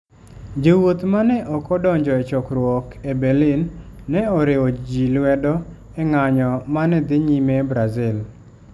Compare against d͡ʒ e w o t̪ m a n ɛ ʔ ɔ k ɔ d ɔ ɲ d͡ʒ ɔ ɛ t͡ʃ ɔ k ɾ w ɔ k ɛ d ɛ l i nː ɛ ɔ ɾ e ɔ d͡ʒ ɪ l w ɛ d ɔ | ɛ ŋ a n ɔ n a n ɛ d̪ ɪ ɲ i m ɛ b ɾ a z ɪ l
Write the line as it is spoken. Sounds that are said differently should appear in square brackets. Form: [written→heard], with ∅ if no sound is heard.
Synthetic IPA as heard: d͡ʒ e w o t̪ m a n ɛ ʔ ɔ k ɔ d ɔ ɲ d͡ʒ ɔ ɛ t͡ʃ ɔ k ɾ w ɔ k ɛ [d→b] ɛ l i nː ɛ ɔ ɾ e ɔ d͡ʒ [ɪ→i] l w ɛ d ɔ | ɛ ŋ a [n→ɲ] ɔ [n→m] a n ɛ d̪ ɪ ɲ i m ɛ b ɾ a z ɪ l

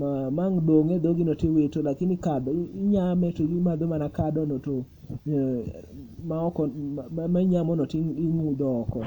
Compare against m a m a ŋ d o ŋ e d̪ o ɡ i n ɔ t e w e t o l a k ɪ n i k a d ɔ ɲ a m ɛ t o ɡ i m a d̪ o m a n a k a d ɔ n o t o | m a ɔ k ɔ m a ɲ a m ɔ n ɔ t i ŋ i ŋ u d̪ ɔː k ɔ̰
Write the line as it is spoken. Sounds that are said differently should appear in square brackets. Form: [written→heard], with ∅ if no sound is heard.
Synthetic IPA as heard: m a m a ŋ d o ŋ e d̪ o ɡ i n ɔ t e w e t o l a k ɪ n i k a d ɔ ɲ a m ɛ t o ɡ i m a d̪ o m a n a k a d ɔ n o t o | m a ɔ k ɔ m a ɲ a m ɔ n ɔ t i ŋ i ŋ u d̪ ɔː k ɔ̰

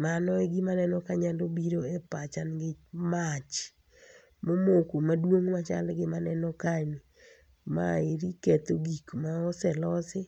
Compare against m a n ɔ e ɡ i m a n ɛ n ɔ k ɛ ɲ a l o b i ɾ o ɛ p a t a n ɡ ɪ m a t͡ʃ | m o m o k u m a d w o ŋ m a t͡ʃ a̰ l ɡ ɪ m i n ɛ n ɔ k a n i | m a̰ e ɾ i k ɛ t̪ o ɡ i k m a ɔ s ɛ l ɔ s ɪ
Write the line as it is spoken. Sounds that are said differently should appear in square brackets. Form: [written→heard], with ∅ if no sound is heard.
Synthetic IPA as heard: m a n ɔ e ɡ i m a n ɛ n ɔ k [ɛ→a] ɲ a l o b i ɾ o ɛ p a [t→t͡ʃ] a n ɡ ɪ m a t͡ʃ | m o m o k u m a d w o ŋ m a t͡ʃ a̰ l ɡ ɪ m [i→a] n ɛ n ɔ k a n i | m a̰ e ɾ i k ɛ t̪ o ɡ i k m a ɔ s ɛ l ɔ s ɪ

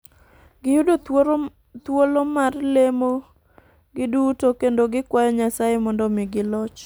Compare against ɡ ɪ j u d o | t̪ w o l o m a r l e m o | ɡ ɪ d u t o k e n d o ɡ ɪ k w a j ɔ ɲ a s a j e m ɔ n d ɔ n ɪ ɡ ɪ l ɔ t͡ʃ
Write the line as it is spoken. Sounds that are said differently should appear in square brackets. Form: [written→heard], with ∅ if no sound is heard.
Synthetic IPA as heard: ɡ ɪ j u d o | t̪ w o l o m a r l e m o | ɡ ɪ d u t o k e n d o ɡ ɪ k w a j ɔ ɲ a s a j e m ɔ n d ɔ [n→m] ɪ ɡ ɪ l ɔ t͡ʃ

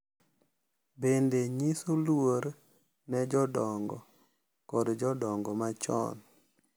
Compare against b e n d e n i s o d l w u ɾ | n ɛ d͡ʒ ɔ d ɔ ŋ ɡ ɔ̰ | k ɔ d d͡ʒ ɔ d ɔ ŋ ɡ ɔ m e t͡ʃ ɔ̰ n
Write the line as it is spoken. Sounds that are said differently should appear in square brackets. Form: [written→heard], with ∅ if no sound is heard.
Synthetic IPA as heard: b e n d e [n→ɲ] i s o [d→∅] l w [u→o] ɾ | n ɛ d͡ʒ ɔ d ɔ ŋ ɡ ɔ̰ | k ɔ d d͡ʒ ɔ d ɔ ŋ ɡ ɔ m [e→a] t͡ʃ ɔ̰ n

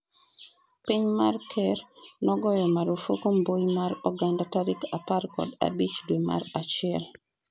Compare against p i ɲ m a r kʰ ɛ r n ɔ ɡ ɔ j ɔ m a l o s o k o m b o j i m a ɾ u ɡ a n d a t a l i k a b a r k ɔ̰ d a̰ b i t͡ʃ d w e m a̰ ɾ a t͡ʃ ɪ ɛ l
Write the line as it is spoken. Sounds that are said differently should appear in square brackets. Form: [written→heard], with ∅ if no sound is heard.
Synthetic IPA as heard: p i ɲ m a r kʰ ɛ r n ɔ ɡ ɔ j ɔ m a [l→ɾ] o [s→f] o k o m b o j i m a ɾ [u→ɔ] ɡ a n d a t a [l→ɾ] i k a [b→p] a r k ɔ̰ d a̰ b i t͡ʃ d w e m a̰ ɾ a t͡ʃ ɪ ɛ l

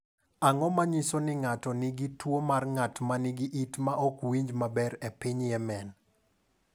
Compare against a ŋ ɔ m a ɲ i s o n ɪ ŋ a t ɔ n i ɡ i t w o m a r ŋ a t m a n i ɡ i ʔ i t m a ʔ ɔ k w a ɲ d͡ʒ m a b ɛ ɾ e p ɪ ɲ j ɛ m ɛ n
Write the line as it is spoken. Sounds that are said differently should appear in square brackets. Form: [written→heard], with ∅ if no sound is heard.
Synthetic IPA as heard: a ŋ ɔ m a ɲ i s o n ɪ ŋ a t ɔ n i ɡ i t w o m a r ŋ a t m a n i ɡ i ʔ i t m a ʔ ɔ k w [a→i] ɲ d͡ʒ m a b ɛ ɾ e p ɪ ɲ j ɛ m ɛ n

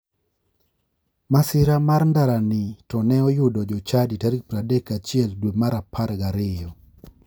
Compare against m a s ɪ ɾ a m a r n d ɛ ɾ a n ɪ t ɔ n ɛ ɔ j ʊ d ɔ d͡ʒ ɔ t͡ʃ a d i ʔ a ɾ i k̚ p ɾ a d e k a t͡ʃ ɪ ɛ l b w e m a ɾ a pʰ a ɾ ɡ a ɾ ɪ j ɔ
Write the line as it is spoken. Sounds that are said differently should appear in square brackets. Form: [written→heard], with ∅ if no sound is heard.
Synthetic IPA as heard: m a s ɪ ɾ a m a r n d [ɛ→a] ɾ a n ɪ t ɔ n ɛ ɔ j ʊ d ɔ d͡ʒ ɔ t͡ʃ a d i [ʔ→t] a ɾ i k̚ p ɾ a d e k a t͡ʃ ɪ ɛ l [b→d] w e m a ɾ a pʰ a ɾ ɡ a ɾ ɪ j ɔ

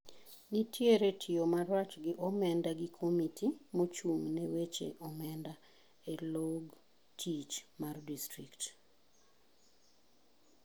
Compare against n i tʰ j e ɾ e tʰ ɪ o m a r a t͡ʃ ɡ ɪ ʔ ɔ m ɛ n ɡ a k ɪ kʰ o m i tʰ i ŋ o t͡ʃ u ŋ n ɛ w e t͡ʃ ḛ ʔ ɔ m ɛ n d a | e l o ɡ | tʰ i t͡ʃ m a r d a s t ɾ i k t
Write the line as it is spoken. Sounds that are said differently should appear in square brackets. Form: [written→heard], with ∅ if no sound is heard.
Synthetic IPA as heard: n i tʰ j e ɾ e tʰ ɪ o m a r a t͡ʃ ɡ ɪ ʔ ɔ m ɛ n [ɡ→d] a [k→ɡ] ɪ kʰ o m i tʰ i [ŋ→m] o t͡ʃ u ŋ n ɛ w e t͡ʃ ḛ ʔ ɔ m ɛ n d a | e l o ɡ | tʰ i t͡ʃ m a r d [a→i] s t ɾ i k t

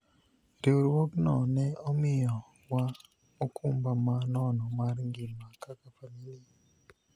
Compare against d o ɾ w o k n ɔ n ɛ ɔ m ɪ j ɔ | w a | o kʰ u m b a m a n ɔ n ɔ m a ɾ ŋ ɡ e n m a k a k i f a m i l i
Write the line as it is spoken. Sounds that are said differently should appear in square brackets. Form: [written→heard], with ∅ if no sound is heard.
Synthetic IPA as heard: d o ɾ w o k n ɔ n ɛ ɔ m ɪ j ɔ | w a | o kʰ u m b a m a n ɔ n ɔ m a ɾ ŋ ɡ [e→i] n m a k a k [i→a] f a m i l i

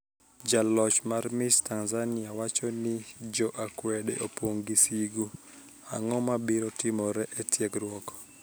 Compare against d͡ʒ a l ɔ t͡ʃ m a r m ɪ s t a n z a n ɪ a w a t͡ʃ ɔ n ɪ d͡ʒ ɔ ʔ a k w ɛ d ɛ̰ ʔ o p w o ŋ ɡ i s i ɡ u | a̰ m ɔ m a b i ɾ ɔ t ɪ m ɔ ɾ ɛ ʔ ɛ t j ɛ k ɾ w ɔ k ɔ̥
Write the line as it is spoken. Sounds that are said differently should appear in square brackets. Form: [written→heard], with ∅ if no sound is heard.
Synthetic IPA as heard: d͡ʒ a l ɔ t͡ʃ m a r m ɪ s t a n z a n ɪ a w a t͡ʃ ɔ n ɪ d͡ʒ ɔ ʔ a k w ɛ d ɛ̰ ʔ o p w o ŋ ɡ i s i ɡ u | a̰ [m→ŋ] ɔ m a b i ɾ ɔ t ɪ m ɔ ɾ ɛ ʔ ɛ t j ɛ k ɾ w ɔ k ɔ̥

